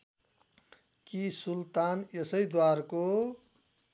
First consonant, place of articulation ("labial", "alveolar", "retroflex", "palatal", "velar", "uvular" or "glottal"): velar